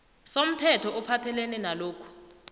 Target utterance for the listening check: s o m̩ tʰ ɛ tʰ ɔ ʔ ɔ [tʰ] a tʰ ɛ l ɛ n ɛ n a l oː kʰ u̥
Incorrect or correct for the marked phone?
incorrect: pʰ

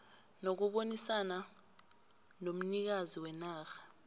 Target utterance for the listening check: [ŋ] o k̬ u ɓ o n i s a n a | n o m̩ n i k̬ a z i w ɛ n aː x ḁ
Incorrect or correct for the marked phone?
incorrect: n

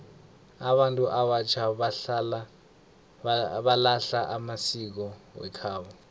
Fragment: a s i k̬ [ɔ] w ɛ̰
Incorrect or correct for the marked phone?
correct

